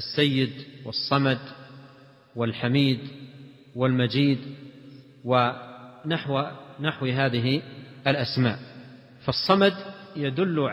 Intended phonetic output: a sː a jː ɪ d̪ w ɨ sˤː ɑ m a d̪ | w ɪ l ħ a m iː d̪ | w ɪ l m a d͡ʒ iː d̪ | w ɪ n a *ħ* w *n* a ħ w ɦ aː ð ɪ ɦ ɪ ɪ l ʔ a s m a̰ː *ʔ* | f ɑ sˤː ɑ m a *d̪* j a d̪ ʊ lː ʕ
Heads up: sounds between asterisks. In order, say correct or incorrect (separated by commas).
correct, correct, correct, correct